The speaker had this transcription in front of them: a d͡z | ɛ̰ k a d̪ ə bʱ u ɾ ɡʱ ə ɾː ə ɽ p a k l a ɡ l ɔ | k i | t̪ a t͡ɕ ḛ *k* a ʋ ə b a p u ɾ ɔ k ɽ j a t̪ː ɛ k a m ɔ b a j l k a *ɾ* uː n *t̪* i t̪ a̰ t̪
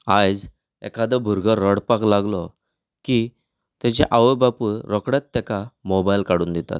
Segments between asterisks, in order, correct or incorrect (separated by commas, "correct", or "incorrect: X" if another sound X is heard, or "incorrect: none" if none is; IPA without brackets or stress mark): incorrect: ʔ, incorrect: ɽ, incorrect: d̪